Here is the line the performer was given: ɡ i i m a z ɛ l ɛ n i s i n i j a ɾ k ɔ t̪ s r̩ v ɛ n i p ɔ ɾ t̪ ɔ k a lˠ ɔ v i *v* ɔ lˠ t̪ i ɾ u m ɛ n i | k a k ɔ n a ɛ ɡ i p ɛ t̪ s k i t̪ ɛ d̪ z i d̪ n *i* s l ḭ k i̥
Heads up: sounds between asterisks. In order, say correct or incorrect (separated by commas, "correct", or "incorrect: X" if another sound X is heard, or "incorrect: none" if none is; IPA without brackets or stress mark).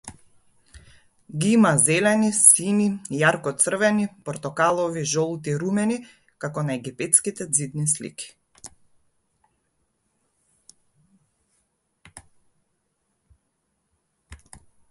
incorrect: ʒ, correct